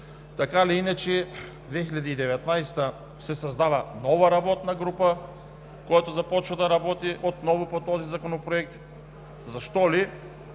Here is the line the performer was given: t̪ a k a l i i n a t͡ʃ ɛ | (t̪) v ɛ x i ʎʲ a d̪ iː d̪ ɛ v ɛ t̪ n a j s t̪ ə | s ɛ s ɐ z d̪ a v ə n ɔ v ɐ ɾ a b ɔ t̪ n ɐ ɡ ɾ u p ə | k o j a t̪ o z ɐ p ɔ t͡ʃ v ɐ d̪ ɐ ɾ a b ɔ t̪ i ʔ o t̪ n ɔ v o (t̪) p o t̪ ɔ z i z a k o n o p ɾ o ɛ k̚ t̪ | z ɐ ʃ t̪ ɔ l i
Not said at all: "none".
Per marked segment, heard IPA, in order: d̪, none

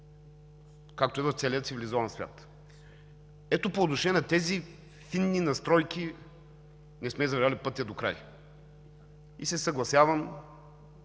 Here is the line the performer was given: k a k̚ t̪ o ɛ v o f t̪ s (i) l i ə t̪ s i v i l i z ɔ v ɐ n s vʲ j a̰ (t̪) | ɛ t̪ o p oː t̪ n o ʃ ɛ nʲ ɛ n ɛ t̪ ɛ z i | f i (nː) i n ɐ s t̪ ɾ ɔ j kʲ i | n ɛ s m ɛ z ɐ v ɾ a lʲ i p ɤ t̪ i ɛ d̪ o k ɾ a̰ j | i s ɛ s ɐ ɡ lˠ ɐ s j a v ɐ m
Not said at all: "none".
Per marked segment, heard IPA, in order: ɛ, t̪, nː

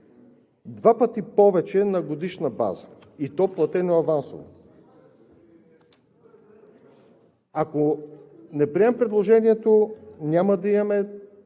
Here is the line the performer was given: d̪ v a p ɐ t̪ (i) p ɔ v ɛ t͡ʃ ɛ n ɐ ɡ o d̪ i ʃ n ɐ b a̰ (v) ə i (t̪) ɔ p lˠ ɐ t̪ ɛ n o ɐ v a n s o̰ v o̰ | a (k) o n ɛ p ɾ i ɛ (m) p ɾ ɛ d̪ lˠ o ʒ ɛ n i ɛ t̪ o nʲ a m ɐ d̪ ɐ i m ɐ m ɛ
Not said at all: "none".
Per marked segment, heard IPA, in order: i, z, t̪, k, m

